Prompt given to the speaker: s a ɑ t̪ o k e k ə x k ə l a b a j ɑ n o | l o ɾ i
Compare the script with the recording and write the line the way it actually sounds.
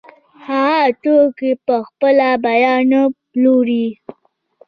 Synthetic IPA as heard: h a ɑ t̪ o k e p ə x p ə l a b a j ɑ n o | l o ɾ i